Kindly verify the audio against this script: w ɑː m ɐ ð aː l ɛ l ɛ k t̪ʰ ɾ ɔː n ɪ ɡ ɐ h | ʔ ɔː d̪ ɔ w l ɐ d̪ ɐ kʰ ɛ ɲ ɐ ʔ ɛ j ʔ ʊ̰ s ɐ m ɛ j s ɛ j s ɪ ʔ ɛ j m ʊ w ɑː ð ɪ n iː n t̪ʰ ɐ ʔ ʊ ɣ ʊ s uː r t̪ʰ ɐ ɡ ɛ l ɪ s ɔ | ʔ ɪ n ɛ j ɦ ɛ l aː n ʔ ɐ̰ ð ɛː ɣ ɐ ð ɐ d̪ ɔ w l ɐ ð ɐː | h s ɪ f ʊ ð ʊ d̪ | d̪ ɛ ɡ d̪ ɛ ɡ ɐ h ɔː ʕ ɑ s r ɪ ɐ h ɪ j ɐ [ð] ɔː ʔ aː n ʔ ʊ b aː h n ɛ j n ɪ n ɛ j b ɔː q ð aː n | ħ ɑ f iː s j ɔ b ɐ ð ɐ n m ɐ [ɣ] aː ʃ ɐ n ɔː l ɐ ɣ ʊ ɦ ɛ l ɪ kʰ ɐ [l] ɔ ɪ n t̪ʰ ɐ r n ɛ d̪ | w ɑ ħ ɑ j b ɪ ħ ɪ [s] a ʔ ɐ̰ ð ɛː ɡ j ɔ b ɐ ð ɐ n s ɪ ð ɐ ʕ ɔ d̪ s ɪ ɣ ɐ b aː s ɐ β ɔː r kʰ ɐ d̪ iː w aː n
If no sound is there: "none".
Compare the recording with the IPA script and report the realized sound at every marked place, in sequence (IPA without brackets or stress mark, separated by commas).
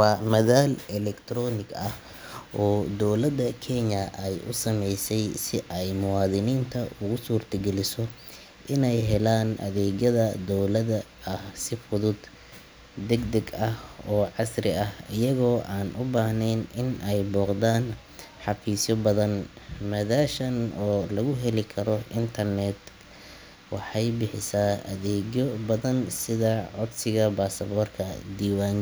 ɣ, ð, ɾ, s